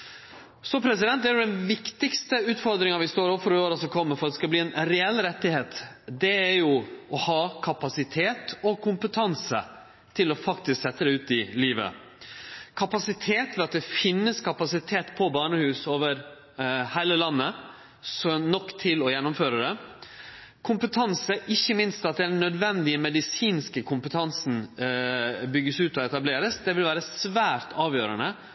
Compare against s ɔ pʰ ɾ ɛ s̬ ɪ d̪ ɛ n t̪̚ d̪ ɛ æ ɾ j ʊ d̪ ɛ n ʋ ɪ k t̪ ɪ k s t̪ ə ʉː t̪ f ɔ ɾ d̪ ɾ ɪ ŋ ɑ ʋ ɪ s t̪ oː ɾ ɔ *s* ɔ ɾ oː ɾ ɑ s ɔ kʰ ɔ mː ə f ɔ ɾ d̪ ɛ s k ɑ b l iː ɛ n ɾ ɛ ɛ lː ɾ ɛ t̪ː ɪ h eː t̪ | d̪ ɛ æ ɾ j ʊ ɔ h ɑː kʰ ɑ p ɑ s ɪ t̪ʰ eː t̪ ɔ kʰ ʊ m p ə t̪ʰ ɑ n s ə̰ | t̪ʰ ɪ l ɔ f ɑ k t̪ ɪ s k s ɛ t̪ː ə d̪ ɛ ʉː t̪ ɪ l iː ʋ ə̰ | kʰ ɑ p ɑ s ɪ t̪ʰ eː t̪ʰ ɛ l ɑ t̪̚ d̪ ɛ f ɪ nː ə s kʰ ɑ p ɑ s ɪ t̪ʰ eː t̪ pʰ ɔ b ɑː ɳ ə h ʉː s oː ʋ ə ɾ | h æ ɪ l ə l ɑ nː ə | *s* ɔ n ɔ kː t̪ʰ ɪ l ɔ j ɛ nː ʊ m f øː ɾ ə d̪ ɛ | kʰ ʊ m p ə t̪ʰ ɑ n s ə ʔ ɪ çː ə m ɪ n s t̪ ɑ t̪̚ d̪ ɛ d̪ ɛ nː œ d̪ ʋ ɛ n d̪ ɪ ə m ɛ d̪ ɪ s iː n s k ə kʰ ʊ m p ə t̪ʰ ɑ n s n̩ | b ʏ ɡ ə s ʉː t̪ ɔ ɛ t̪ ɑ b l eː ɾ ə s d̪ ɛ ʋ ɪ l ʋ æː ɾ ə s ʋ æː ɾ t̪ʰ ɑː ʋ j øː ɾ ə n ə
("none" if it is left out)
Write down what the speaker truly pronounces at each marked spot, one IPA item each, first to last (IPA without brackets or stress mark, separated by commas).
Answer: f, s